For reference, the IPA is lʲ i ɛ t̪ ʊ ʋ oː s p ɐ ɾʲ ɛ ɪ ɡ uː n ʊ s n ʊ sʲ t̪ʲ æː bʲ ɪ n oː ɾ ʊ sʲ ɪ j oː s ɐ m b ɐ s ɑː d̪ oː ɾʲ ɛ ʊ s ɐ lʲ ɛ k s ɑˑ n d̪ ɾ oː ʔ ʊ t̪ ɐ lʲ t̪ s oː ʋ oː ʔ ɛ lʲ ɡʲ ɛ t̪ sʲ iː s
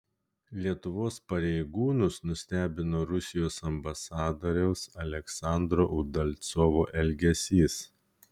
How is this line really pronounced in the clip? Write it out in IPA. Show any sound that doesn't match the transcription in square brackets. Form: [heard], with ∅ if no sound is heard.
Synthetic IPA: lʲ i ɛ t̪ ʊ ʋ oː s p ɐ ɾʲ ɛ ɪ ɡ uː n ʊ s n ʊ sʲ t̪ʲ æː bʲ ɪ n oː ɾ ʊ sʲ ɪ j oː s ɐ m b ɐ s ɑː d̪ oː ɾʲ ɛ ʊ s ɐ lʲ ɛ k s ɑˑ n d̪ ɾ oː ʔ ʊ [d̪] ɐ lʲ t̪ s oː ʋ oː ʔ ɛ lʲ ɡʲ ɛ [∅] sʲ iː s